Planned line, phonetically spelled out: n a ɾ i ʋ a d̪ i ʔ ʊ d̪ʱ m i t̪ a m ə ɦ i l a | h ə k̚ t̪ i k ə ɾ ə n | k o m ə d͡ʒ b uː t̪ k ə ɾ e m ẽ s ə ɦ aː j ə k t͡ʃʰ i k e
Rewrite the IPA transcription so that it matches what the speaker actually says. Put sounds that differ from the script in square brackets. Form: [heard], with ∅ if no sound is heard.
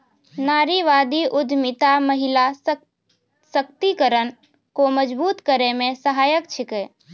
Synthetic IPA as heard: n a ɾ i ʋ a d̪ i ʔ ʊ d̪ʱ m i t̪ a m ə ɦ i l a | [s] ə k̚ t̪ i k ə ɾ ə n | k o m ə d͡ʒ b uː t̪ k ə ɾ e m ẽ s ə ɦ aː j ə k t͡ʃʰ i k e

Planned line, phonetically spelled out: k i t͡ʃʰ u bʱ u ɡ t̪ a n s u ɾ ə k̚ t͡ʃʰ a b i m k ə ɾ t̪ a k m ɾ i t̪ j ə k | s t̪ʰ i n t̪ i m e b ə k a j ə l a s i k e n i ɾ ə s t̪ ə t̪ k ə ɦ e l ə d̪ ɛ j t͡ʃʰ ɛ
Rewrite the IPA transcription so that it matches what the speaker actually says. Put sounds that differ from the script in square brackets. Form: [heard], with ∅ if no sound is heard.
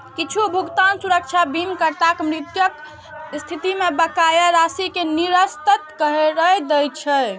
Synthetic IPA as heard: k i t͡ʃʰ u bʱ u ɡ t̪ a n s u ɾ ə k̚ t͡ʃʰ a b i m k ə ɾ t̪ a k m ɾ i t̪ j ə k | s t̪ʰ i [∅] t̪ i m e b ə k a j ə [ɾ] a s i k e n i ɾ ə s t̪ ə t̪ k ə ɦ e [ɾ] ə d̪ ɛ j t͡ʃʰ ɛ

